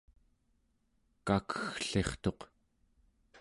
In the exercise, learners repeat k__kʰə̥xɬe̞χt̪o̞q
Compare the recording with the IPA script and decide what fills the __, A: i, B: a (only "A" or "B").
B